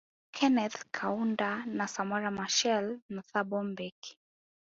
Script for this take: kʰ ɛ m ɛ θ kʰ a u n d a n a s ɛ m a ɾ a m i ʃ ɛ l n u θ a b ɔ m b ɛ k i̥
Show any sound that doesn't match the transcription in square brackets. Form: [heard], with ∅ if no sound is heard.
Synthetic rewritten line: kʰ ɛ [n] ɛ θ kʰ a u n d a n a s [a] m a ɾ a m [a] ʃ ɛ l n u θ a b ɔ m b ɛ k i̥